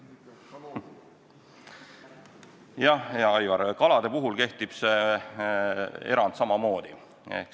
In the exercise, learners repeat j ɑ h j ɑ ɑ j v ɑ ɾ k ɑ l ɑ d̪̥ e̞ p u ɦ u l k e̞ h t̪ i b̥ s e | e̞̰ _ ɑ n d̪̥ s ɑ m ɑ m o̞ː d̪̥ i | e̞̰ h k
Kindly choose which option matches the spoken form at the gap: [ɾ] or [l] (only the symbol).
ɾ